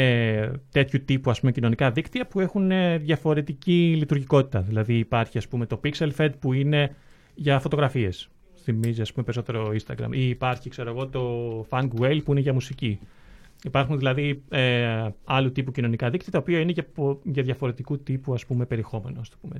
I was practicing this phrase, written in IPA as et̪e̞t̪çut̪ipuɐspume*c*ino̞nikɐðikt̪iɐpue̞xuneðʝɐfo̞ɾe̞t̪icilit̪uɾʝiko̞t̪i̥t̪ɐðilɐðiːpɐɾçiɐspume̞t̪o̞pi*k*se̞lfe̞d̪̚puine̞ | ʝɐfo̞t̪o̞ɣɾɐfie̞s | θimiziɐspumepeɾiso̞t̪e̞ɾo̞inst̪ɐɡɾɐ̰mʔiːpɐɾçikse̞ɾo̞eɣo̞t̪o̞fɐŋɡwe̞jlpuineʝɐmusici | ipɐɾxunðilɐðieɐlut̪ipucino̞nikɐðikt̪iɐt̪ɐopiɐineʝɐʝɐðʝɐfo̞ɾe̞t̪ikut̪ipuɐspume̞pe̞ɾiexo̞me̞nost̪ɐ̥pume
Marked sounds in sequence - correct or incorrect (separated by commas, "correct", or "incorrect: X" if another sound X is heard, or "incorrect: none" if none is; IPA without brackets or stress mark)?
correct, correct